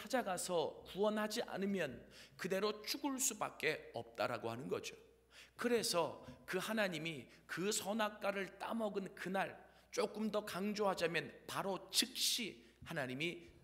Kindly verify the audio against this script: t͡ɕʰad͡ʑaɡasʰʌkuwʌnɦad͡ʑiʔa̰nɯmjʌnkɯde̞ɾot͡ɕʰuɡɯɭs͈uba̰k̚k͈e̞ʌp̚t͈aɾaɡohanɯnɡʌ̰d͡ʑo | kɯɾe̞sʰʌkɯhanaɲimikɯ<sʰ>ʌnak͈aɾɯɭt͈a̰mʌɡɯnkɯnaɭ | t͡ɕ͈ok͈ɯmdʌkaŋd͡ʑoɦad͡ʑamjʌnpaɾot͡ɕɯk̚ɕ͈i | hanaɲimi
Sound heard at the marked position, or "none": sʰ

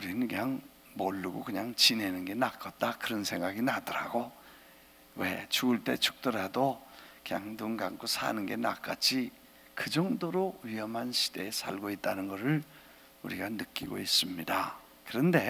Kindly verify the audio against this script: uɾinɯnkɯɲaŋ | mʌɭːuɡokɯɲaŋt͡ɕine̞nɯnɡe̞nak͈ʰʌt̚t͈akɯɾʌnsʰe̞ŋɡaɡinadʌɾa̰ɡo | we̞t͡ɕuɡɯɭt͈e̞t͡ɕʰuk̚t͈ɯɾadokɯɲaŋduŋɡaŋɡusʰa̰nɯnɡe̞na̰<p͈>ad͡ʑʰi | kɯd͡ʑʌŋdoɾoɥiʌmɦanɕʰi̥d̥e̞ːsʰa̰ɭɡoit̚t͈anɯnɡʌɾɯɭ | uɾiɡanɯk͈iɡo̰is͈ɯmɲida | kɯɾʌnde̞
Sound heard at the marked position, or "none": k͈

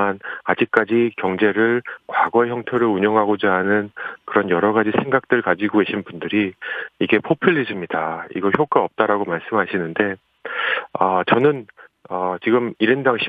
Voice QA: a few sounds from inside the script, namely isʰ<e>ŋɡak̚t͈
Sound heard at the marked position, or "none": e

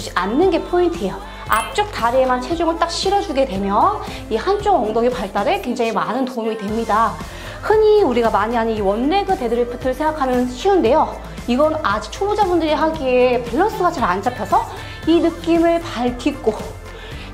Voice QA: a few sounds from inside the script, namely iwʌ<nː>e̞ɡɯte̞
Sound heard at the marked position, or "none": nː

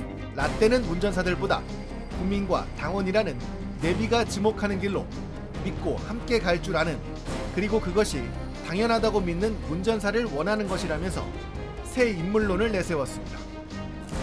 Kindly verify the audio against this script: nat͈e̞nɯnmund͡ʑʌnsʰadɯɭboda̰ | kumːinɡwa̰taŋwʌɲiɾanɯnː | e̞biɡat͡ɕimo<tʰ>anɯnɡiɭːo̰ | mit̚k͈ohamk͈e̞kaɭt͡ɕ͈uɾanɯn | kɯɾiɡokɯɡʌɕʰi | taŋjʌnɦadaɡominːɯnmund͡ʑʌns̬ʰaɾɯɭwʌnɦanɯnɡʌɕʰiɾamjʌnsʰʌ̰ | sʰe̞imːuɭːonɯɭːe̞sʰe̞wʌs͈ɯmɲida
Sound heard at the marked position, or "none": kʰ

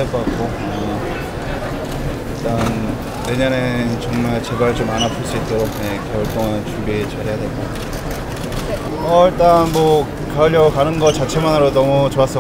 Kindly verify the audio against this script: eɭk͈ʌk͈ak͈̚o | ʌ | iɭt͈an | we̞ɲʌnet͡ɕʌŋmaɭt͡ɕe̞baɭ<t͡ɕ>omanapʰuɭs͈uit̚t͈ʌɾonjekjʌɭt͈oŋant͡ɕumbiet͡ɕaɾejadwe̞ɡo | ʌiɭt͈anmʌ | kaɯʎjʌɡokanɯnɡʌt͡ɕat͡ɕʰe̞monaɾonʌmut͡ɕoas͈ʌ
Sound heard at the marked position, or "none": t͡ɕ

